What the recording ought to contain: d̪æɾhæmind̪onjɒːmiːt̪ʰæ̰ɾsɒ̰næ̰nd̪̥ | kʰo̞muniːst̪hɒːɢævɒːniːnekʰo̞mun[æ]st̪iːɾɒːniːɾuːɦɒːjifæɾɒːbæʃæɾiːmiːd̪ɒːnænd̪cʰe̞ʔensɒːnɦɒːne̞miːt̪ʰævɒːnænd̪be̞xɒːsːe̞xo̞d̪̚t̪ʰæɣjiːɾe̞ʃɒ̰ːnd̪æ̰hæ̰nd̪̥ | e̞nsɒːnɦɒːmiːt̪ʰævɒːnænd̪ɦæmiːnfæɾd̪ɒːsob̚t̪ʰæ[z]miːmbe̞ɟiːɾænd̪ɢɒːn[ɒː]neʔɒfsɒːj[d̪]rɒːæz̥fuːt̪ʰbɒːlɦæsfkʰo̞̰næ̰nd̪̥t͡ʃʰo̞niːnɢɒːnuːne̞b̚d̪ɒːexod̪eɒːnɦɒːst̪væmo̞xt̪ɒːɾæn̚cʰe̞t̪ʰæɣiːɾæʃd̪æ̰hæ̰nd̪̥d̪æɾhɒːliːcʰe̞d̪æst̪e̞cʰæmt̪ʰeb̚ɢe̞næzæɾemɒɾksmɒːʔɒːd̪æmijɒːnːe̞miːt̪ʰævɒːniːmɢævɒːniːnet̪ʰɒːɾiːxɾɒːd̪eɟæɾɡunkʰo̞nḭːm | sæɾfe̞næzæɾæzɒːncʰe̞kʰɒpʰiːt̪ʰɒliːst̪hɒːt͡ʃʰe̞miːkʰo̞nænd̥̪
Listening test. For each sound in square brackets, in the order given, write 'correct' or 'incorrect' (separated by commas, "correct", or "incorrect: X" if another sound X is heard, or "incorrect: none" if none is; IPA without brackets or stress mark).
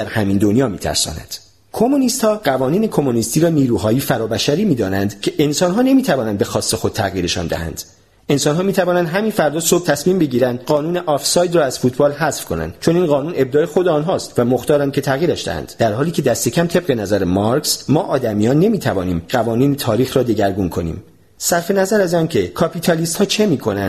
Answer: incorrect: i, incorrect: s, incorrect: uː, correct